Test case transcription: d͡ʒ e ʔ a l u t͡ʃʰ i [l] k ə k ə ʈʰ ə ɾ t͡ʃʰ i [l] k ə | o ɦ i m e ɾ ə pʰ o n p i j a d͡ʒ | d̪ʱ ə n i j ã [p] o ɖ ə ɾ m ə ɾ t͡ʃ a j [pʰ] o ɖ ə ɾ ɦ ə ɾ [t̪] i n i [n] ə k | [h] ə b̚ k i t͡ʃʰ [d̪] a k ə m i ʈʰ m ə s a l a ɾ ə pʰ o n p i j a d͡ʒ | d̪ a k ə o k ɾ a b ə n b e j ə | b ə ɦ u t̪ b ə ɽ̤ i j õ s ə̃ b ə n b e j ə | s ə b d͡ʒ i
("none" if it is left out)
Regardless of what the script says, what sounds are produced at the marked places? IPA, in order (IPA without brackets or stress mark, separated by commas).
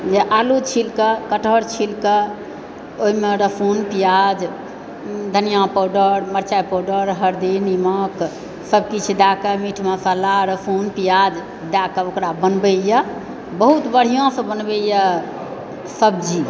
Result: l, l, p, p, d̪, m, s, d̪